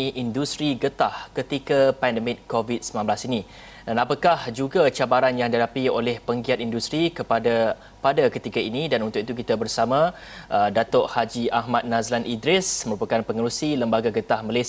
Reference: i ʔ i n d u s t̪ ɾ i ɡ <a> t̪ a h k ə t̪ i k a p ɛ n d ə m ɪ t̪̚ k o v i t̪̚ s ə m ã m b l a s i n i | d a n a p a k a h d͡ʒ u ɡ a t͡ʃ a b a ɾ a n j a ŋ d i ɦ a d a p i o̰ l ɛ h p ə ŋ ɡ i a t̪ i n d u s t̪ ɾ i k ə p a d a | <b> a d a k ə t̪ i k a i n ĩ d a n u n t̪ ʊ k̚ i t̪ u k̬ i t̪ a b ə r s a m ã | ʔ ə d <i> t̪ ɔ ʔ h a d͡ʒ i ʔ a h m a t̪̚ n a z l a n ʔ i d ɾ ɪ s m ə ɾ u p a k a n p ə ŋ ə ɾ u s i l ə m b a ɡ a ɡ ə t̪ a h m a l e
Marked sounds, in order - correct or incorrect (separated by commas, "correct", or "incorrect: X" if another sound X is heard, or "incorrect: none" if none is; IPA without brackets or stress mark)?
incorrect: ə, incorrect: p, incorrect: a